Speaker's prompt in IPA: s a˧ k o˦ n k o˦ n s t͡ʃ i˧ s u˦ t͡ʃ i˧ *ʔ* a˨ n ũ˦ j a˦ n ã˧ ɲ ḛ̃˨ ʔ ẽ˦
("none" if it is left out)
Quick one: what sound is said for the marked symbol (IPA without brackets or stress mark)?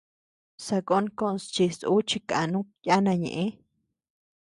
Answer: k